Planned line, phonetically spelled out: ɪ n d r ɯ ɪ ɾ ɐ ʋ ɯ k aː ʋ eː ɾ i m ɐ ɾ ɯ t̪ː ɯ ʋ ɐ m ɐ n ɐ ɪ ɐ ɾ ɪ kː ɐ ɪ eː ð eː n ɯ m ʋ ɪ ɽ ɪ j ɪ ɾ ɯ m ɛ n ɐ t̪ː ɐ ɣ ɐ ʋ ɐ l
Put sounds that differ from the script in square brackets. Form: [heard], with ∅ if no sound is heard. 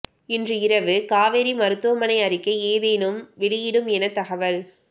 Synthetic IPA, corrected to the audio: ɪ n d r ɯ ɪ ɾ ɐ ʋ ɯ k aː ʋ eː ɾ i m ɐ ɾ ɯ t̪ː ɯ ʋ ɐ m ɐ n ɐ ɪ ɐ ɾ ɪ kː ɐ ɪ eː ð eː n ɯ m ʋ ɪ ɽ ɪ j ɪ [ɽ] ɯ m ɛ n ɐ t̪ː ɐ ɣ ɐ ʋ ɐ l